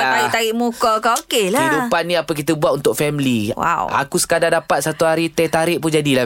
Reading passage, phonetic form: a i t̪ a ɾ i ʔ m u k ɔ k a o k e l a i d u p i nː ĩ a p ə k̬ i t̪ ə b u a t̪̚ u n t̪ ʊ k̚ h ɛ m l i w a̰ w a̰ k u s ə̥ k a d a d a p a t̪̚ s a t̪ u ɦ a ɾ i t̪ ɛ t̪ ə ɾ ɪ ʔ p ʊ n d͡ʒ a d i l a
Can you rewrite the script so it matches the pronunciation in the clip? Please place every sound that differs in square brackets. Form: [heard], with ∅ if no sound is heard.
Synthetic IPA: a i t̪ a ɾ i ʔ m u k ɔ k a o k e l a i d u p [a] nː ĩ a p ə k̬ i t̪ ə b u a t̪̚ u n t̪ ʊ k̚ [f] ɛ m l i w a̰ w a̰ k u s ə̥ k a d a d a p a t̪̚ s a t̪ u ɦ a ɾ i t̪ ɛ t̪ [a] ɾ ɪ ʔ p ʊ n d͡ʒ a d i l a